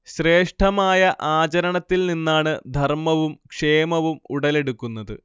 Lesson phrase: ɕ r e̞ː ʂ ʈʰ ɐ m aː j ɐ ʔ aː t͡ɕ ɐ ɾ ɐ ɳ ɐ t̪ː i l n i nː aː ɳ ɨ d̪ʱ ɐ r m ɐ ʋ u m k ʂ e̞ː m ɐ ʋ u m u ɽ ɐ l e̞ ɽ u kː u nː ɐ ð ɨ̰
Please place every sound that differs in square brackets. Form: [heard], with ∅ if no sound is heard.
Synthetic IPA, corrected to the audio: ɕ r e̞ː ʂ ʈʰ ɐ m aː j ɐ ʔ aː t͡ɕ ɐ ɾ ɐ ɳ ɐ t̪ː i l n i nː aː ɳ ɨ d̪ʱ ɐ r m ɐ ʋ u m k ʂ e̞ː m ɐ ʋ u m u ɽ ɐ l e̞ ɽ u kː u nː ɐ ð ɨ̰